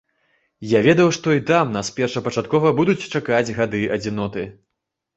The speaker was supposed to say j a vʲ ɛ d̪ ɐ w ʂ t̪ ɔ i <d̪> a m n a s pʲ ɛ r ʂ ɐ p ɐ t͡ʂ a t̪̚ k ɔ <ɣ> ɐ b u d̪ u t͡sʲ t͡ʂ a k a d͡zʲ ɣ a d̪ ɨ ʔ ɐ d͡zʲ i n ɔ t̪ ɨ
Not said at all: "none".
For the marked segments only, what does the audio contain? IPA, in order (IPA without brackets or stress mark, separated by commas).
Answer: t̪, v